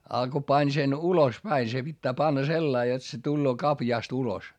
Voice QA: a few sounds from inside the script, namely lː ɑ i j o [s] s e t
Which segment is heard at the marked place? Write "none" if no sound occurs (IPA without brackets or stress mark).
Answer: t